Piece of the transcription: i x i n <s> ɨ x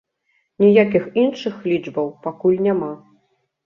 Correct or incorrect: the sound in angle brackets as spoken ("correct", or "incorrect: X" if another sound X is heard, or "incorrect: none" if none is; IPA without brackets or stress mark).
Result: incorrect: ʂ